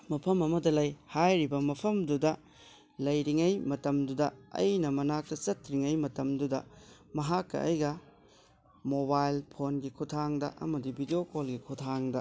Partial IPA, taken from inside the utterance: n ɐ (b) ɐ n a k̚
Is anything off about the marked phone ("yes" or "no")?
yes